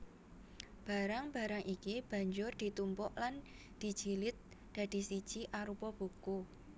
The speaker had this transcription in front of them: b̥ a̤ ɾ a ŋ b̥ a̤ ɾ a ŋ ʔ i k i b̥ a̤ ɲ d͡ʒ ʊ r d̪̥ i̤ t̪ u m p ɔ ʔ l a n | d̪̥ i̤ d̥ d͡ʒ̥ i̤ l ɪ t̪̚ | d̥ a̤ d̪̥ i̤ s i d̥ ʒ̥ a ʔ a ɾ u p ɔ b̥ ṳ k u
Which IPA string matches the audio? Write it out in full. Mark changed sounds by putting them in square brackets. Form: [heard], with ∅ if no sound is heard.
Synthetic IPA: b̥ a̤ ɾ a ŋ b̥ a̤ ɾ a ŋ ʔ i k i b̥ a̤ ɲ d͡ʒ ʊ r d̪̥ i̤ t̪ u m p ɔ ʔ l a n | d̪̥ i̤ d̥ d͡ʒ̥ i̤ l ɪ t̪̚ | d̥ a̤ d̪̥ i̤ s i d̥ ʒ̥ [i] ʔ a ɾ u p ɔ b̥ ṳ k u

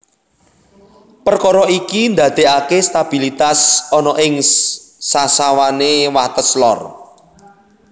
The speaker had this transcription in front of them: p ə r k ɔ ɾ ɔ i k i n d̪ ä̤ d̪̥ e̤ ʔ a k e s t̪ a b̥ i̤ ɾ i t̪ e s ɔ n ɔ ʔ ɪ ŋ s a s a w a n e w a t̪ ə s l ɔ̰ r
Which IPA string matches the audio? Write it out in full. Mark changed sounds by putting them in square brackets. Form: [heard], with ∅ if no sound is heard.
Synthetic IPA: p ə r k ɔ ɾ ɔ i k i n d̪ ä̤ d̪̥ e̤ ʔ a k e s t̪ a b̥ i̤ [l] i t̪ [a] s ɔ n ɔ ʔ ɪ ŋ s a s a w a n e w a t̪ ə s l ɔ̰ r

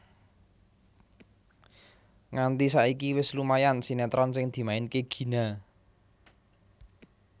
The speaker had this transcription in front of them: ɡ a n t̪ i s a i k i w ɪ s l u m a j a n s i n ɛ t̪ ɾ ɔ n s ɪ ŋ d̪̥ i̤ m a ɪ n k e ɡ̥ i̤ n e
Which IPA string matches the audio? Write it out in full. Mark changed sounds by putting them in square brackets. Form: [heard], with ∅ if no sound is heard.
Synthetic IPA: [ŋ] a n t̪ i s a i k i w ɪ s l u m a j a n s i n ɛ t̪ ɾ ɔ n s ɪ ŋ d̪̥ i̤ m a ɪ n k e ɡ̥ i̤ n [a]

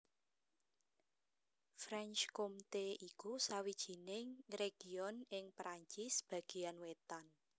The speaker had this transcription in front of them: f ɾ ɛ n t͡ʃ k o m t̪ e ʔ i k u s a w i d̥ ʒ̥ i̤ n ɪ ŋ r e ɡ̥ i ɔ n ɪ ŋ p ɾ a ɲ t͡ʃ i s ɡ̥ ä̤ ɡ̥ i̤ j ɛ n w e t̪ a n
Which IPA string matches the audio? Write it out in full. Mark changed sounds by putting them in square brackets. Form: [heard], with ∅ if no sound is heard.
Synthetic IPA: f ɾ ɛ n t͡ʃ k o m t̪ e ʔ i k u s a w i d̥ ʒ̥ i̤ n ɪ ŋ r e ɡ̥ i ɔ n ɪ ŋ p ɾ a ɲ t͡ʃ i s [b̥] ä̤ ɡ̥ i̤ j [a] n w e t̪ a n

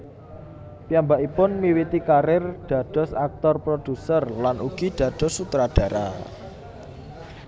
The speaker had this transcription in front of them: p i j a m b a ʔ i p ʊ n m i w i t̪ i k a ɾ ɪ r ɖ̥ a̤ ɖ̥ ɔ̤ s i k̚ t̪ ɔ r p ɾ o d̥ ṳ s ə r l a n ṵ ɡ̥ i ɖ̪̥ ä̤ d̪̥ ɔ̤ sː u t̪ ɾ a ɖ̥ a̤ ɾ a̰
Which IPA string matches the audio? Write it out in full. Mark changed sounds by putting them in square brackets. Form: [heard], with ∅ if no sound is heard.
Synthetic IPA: p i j a m b a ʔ i p ʊ n m i w i t̪ i k a ɾ ɪ r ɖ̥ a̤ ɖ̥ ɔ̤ s [a] k̚ t̪ ɔ r p ɾ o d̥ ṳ s ə r l a n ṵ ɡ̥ i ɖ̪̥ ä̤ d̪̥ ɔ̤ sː u t̪ ɾ a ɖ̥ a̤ ɾ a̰

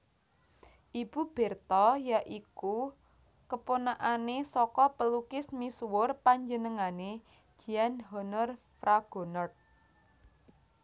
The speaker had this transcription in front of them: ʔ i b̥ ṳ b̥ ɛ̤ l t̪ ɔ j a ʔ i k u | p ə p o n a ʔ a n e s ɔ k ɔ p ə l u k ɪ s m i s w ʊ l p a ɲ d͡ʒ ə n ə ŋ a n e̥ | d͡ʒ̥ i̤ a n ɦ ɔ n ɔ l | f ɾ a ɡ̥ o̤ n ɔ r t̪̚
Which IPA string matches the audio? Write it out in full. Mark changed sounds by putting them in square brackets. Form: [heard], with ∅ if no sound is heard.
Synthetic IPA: ʔ i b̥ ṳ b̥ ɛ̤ [r] t̪ ɔ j a ʔ i k u | [k] ə p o n a ʔ a n e s ɔ k ɔ p ə l u k ɪ s m i s w ʊ [r] p a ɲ d͡ʒ ə n ə ŋ a n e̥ | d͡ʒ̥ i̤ a n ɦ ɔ n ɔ [r] | f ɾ a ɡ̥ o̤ n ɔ r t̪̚

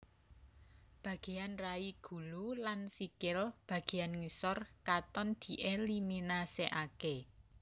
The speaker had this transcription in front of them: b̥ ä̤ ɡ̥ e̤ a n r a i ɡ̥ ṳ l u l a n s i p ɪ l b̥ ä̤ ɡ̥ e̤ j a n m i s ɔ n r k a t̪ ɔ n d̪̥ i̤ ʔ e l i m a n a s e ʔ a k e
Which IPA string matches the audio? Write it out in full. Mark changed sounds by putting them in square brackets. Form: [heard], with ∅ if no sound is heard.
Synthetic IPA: b̥ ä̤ ɡ̥ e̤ a n r a i ɡ̥ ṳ l u l a n s i [k] ɪ l b̥ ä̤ ɡ̥ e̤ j a n [ŋ] i s ɔ [∅] r k a t̪ ɔ n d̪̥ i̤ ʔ e l i m [i] n a s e ʔ a k e

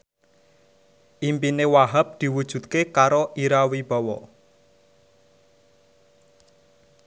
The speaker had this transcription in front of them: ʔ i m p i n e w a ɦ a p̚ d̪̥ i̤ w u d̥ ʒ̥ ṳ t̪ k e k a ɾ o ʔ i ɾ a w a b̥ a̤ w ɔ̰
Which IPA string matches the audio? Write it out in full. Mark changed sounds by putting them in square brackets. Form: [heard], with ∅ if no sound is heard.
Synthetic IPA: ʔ i m p i n e w a ɦ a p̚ d̪̥ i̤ w u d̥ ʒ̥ ṳ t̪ k e k a ɾ o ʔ i ɾ a w [i] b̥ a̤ w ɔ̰

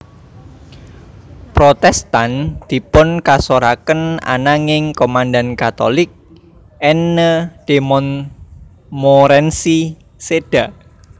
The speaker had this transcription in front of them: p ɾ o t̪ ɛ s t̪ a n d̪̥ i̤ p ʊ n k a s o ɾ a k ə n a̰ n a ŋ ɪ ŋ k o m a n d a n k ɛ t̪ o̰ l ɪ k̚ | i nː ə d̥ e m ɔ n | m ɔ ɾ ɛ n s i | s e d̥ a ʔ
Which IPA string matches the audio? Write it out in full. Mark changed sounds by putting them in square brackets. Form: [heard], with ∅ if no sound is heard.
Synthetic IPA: p ɾ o t̪ ɛ s t̪ a n d̪̥ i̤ p ʊ n k a s o ɾ a k ə n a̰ n a ŋ ɪ ŋ k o m a n d a n k [a] t̪ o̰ l ɪ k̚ | [ɛ] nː ə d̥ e m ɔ n | m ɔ ɾ ɛ n s i | s e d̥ a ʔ

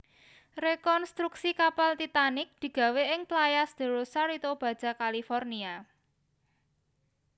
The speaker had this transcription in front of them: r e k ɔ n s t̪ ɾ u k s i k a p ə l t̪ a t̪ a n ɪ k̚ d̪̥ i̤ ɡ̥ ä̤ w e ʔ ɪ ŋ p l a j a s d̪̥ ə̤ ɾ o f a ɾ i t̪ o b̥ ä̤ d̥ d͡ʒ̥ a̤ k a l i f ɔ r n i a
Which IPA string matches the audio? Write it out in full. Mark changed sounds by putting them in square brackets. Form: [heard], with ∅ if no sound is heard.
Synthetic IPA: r e k ɔ n s t̪ ɾ u k s i k a p [a] l t̪ [i] t̪ a n ɪ k̚ d̪̥ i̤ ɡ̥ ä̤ w e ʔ ɪ ŋ p l a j a s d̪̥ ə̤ ɾ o [s] a ɾ i t̪ o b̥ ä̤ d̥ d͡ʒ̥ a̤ k a l i f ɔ r n i a

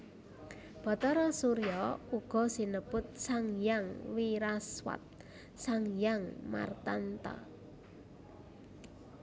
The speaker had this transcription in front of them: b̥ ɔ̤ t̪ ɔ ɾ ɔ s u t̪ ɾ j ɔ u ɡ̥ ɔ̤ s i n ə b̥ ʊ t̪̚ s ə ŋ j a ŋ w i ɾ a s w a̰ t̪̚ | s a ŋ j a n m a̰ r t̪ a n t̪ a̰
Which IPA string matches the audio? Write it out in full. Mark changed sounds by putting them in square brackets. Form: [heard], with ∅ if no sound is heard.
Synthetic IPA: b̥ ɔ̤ t̪ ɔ ɾ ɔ s u [∅] ɾ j ɔ u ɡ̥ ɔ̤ s i n ə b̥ ʊ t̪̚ s [a] ŋ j a ŋ w i ɾ a s w a̰ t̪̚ | s a ŋ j a [ŋ] m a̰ r t̪ a n t̪ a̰

